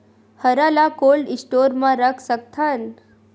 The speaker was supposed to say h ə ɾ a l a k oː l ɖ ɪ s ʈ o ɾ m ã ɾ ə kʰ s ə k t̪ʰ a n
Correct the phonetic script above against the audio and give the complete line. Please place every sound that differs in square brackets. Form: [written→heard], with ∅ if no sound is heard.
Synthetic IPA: h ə ɾ a l a k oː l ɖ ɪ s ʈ o ɾ m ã ɾ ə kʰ s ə k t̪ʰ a n